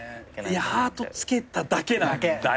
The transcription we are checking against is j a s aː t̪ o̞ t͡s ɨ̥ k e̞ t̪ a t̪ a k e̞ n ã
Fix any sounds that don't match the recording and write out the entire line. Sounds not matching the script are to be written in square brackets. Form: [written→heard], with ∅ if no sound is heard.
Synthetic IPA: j a [s→h] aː t̪ o̞ t͡s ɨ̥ k e̞ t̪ a [t̪→d̪] a k e̞ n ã